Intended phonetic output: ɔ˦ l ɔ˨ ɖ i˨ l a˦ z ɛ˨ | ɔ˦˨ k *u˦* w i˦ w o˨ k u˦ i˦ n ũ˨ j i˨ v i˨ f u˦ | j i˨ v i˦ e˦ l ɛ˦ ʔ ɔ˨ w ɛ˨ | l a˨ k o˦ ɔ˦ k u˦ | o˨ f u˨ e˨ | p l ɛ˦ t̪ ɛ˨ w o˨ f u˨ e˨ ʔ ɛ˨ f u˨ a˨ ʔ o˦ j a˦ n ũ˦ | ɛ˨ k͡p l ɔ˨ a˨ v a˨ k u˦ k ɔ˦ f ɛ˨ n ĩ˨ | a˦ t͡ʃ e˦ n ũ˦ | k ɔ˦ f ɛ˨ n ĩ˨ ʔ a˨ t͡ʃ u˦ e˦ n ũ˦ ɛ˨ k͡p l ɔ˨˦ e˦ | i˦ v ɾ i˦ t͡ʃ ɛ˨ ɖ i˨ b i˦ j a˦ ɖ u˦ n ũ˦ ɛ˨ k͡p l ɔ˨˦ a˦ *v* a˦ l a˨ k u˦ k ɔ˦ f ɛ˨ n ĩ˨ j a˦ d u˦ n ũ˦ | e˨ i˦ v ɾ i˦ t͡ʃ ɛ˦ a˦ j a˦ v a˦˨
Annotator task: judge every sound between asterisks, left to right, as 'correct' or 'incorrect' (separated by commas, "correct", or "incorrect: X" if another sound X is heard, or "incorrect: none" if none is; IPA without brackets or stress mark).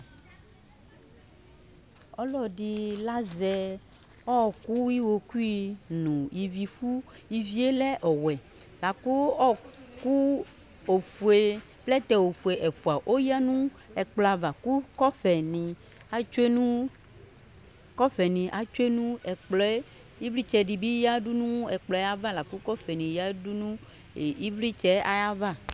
correct, correct